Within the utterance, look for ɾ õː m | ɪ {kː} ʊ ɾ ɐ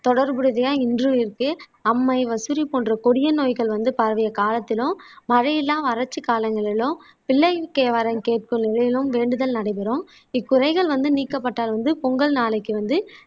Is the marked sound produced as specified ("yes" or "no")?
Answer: yes